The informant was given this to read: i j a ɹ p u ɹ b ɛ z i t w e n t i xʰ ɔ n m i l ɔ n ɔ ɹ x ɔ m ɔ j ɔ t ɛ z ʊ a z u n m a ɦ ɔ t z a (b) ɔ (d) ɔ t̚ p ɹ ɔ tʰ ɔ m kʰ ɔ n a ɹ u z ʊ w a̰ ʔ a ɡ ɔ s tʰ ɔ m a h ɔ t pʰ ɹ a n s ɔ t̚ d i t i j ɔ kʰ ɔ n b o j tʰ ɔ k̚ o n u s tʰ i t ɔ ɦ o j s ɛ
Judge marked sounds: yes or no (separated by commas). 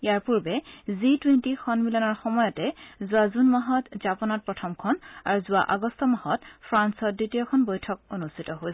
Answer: no, no